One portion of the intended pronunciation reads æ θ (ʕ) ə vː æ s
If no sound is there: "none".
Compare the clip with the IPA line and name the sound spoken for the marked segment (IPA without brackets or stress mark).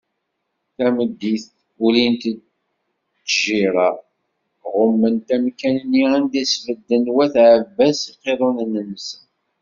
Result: ʕ